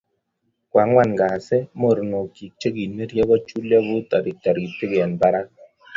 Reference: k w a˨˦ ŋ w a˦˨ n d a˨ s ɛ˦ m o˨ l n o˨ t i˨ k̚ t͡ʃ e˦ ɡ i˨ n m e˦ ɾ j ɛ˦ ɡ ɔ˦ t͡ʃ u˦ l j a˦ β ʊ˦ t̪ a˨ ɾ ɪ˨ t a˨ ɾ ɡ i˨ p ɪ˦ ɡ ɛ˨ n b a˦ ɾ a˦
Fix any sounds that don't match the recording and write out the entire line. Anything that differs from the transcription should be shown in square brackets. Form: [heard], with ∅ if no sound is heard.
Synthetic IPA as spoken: k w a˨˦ ŋ w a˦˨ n [ɡ] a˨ s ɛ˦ m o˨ [ɾ] n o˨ [k] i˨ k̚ t͡ʃ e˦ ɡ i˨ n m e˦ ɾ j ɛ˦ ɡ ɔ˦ t͡ʃ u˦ l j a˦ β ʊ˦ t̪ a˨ ɾ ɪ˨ t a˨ ɾ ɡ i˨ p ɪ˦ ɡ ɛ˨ n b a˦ ɾ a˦